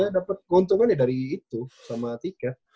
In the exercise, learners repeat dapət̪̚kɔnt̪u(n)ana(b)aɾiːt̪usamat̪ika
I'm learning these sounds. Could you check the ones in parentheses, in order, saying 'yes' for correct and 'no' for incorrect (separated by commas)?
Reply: no, no